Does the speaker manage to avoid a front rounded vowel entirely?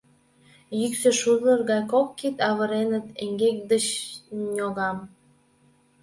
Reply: no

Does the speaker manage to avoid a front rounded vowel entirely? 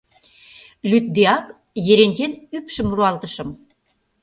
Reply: no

